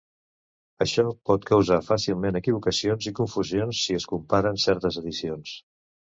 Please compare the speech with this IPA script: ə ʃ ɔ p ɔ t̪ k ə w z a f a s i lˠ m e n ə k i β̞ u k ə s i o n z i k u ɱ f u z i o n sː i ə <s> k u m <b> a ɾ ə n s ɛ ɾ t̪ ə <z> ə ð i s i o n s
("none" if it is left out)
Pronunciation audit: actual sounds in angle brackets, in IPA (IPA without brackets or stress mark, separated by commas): s, p, z